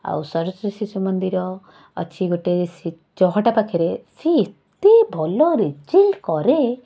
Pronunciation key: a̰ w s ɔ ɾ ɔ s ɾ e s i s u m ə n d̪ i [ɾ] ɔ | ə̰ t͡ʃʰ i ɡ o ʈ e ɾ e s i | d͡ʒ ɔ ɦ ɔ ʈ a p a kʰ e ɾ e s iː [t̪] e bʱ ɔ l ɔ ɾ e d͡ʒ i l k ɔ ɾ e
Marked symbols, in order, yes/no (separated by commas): yes, yes